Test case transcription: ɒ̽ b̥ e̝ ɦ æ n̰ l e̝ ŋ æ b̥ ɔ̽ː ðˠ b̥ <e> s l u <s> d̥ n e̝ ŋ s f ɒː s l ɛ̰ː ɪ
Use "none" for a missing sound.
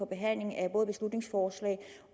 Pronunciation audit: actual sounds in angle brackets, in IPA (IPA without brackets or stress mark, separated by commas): e, none